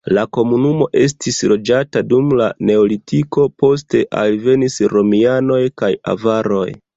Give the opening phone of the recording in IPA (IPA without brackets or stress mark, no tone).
l